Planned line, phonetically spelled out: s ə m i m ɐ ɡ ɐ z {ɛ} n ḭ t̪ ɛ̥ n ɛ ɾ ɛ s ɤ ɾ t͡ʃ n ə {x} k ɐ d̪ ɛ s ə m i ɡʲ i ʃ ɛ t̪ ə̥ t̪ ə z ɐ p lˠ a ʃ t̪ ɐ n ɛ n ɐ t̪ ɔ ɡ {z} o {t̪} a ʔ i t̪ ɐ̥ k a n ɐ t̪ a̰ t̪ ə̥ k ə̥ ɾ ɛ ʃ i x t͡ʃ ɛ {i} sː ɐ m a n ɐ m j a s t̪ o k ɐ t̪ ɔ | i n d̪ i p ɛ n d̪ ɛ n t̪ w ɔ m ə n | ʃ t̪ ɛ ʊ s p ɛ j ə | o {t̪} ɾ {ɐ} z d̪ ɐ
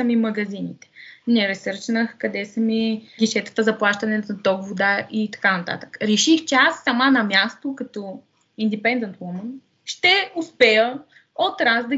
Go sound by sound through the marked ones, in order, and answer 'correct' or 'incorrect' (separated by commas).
incorrect, correct, incorrect, incorrect, incorrect, correct, incorrect